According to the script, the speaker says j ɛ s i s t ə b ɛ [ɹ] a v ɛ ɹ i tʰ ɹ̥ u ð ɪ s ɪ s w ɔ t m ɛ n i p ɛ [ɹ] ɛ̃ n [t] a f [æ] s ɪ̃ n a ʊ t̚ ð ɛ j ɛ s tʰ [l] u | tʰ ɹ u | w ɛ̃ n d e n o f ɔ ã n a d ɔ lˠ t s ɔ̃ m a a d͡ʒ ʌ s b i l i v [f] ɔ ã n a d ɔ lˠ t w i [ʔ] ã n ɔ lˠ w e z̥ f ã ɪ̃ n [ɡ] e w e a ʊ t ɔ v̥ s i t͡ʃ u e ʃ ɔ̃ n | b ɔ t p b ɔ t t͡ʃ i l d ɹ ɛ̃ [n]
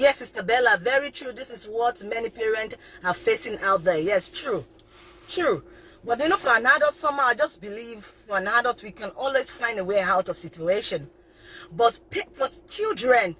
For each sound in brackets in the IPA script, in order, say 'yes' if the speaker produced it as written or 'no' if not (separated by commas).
no, yes, yes, no, no, yes, no, no, yes